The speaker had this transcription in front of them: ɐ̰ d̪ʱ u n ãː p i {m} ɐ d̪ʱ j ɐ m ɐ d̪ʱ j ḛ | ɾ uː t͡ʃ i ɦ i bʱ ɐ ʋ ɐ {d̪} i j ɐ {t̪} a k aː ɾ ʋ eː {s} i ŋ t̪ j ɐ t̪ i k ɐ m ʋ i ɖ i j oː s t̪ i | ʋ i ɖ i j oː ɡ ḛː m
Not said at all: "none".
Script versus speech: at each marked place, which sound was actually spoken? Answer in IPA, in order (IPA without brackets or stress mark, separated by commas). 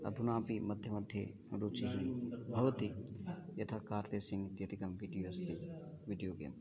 m, t̪, t̪ʰ, s